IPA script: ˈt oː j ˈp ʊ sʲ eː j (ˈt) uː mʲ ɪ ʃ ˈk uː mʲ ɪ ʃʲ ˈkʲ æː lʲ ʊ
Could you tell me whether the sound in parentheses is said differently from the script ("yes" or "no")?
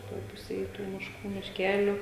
no